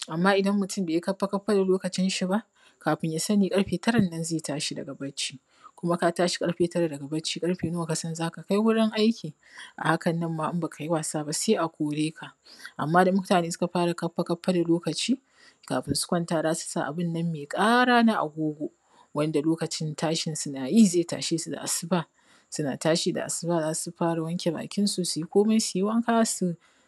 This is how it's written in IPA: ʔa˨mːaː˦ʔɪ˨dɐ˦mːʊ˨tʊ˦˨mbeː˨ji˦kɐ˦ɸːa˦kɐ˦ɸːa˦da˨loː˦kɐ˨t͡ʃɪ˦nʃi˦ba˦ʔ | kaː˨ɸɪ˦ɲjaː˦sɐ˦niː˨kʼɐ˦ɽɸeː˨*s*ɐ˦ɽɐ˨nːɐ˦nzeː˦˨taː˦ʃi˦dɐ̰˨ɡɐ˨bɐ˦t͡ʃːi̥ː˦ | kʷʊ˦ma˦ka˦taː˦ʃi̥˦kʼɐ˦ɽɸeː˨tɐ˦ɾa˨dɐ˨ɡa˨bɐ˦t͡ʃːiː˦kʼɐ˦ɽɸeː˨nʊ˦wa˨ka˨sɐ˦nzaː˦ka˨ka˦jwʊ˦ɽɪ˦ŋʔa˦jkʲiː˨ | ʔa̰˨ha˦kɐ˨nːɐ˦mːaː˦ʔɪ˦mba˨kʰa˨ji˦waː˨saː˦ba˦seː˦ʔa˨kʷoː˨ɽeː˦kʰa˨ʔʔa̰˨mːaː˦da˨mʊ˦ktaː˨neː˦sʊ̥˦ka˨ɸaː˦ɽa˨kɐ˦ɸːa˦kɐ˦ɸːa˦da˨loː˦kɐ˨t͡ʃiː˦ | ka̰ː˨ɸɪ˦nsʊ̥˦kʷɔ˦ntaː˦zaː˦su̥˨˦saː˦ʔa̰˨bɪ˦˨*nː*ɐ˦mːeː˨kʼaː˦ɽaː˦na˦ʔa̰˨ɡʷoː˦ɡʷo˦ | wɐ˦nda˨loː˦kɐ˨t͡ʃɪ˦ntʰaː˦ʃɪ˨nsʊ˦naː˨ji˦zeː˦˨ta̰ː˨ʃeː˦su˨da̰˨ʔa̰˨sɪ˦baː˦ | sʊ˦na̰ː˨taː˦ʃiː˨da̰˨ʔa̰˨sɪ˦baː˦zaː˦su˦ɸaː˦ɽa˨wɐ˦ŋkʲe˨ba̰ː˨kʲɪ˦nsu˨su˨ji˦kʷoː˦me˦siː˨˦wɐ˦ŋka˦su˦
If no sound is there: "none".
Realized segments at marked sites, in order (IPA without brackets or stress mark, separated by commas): t, nː